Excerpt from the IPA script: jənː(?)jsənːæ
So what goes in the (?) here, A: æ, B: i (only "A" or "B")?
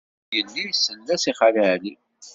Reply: B